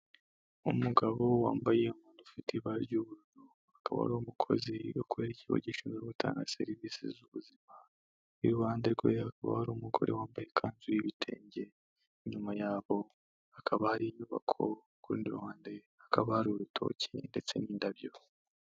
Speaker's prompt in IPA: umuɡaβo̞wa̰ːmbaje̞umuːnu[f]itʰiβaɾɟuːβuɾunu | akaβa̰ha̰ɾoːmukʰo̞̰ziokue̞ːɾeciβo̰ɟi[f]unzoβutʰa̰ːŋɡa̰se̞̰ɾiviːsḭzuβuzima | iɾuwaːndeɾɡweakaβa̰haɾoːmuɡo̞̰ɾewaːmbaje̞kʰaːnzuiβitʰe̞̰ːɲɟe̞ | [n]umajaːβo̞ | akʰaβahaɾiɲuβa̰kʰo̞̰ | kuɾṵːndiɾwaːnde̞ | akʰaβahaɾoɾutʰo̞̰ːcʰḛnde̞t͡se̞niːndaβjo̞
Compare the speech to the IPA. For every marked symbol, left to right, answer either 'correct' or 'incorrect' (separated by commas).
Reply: correct, incorrect, incorrect